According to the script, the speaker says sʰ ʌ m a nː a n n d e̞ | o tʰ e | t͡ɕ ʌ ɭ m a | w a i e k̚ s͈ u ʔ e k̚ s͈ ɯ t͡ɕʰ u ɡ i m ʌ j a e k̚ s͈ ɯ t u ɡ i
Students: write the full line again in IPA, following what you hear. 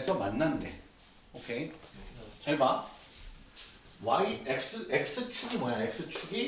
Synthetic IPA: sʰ ʌ m a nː a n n d e̞ | o kʰ e | t͡ɕ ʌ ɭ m a | w a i e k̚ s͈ ɯ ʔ e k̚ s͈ ɯ t͡ɕʰ u ɡ i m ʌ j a e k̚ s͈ ɯ t͡ɕʰ u ɡ i